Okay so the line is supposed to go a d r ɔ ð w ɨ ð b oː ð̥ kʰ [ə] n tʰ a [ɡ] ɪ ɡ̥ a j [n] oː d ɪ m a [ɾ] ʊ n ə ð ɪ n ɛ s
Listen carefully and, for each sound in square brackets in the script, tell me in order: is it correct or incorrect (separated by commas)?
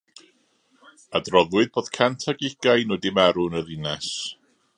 incorrect, correct, correct, correct